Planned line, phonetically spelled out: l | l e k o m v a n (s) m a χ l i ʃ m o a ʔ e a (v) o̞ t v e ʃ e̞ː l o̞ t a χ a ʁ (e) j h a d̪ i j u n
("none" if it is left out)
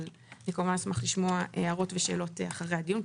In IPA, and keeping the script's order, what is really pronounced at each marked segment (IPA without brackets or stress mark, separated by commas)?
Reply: s, ʁ, e